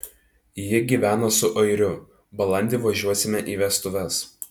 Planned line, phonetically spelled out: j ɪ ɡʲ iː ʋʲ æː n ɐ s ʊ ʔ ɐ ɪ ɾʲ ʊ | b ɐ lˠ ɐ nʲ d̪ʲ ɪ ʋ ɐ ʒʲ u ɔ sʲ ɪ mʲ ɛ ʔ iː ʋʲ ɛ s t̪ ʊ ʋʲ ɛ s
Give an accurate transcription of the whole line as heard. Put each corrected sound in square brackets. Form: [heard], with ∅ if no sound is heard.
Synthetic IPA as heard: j ɪ ɡʲ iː ʋʲ æː n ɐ s ʊ ʔ ɐ ɪ ɾʲ ʊ | b ɐ lˠ ɐ nʲ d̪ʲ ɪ ʋ ɐ ʒʲ u ɔ sʲ ɪ mʲ ɛ ʔ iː ʋʲ ɛ s t̪ ʊ ʋʲ ɛ s